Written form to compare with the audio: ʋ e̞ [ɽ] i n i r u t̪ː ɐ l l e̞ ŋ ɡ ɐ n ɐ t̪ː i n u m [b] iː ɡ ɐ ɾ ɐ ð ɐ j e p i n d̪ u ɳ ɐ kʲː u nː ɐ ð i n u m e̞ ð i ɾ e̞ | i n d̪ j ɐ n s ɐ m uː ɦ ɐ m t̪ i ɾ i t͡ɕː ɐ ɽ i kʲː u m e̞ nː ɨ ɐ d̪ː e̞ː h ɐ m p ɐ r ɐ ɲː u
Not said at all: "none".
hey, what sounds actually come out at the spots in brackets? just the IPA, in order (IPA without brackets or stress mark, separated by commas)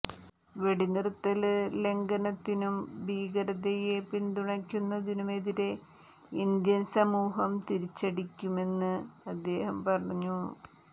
ɽ, b